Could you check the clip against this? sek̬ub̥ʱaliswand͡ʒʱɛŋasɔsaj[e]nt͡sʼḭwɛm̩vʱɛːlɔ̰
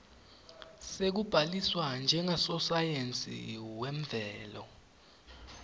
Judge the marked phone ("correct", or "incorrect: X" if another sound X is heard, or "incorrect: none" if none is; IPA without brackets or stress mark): correct